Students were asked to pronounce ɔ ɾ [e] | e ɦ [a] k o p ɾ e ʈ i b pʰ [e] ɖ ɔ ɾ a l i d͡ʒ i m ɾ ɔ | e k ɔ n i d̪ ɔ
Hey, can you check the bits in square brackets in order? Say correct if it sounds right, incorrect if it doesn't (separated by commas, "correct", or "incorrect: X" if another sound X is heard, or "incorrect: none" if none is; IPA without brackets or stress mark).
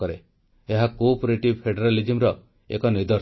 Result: correct, correct, correct